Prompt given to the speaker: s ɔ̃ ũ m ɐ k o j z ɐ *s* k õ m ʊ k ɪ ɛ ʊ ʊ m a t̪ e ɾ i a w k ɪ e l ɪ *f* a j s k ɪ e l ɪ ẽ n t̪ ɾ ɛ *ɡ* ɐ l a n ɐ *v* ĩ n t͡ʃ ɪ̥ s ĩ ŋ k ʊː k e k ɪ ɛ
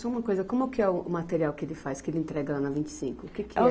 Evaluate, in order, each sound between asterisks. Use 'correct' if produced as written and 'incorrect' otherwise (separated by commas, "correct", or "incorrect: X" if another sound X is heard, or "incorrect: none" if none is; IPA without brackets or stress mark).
incorrect: none, correct, correct, correct